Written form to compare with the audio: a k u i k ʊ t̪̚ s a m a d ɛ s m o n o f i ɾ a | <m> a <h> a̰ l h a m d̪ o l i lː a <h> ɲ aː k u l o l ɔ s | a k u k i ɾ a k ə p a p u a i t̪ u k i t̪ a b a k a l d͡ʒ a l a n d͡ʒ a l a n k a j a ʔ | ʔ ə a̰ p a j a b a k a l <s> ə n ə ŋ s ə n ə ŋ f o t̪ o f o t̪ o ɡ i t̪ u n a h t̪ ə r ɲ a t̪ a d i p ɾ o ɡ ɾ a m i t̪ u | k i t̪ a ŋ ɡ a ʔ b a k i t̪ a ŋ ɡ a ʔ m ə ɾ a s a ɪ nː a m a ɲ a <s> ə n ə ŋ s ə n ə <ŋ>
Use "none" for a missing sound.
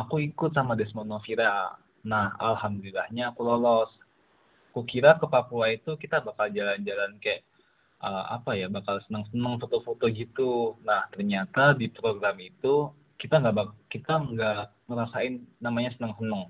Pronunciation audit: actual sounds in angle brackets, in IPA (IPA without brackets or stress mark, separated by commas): n, h, h, s, s, ŋ